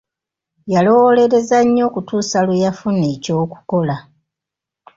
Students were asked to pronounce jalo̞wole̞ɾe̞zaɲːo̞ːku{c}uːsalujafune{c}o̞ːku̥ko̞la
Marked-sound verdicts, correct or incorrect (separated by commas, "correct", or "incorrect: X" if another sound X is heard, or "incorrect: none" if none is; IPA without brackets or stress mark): incorrect: t, correct